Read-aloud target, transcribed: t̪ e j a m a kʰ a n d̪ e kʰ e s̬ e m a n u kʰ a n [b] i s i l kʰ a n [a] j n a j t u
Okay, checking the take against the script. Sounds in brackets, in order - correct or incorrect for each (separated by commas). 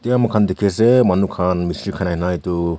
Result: incorrect, correct